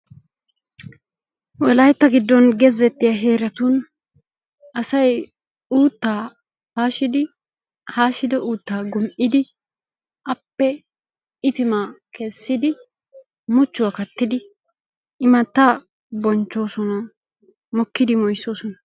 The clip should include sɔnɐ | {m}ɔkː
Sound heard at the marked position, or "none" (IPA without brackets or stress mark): m